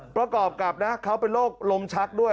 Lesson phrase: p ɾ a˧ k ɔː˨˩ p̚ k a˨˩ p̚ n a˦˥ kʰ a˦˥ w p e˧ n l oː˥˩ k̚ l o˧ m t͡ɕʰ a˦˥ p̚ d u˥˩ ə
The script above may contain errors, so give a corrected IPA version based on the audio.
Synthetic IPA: p ɾ a˧ k ɔː˨˩ p̚ k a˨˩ p̚ n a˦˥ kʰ a˦˥ w p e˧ n l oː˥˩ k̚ l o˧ m t͡ɕʰ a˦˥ k̚ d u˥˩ ə